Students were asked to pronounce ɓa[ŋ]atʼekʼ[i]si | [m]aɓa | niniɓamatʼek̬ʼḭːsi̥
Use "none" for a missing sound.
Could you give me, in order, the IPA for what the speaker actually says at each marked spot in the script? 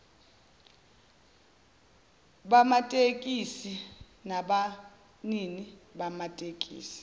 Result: m, i, n

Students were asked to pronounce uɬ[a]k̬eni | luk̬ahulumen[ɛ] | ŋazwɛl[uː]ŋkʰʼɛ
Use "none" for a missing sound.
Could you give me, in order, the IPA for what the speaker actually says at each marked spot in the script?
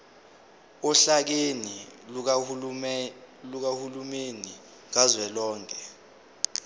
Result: a, i, ɔː

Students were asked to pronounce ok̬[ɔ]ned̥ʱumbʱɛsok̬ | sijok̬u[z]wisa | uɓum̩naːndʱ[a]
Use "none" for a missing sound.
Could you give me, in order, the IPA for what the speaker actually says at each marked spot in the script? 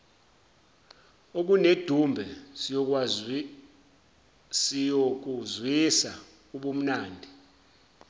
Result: u, z, i

